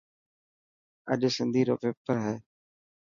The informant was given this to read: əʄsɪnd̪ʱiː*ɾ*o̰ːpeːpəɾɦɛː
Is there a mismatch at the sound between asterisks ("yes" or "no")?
no